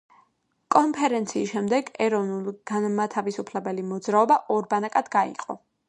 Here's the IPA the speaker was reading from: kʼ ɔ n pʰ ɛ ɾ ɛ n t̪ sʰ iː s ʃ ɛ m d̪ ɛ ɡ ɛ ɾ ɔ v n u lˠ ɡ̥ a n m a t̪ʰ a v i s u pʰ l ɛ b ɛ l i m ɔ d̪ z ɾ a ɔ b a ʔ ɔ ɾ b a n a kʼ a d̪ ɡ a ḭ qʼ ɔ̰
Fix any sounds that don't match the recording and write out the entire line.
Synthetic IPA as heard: kʼ ɔ n pʰ ɛ ɾ ɛ n t̪ sʰ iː s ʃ ɛ m d̪ ɛ ɡ ɛ ɾ ɔ v n u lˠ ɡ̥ a n m a t̪ʰ a v i s u pʰ l ɛ b ɛ l i m ɔ d̪ z ɾ a ɔ b a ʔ ɔ ɾ b a n a kʼ a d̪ ɡ a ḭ qʼ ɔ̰